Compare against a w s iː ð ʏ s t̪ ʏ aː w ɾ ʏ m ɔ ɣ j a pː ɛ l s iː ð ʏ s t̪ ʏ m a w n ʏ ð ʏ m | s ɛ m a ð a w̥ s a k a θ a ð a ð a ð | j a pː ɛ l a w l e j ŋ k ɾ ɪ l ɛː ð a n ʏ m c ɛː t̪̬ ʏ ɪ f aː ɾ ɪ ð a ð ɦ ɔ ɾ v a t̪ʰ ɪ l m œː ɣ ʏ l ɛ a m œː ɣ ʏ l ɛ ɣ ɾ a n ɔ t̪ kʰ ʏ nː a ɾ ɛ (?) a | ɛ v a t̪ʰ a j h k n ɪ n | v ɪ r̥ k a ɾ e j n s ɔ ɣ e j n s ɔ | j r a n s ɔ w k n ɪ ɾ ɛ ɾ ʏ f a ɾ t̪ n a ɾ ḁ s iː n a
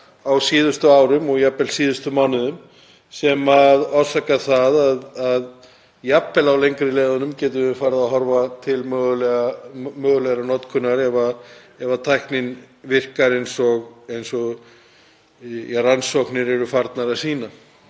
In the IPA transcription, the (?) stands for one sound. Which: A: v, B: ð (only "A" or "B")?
A